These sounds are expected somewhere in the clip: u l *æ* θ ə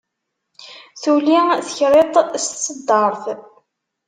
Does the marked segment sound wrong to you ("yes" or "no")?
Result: yes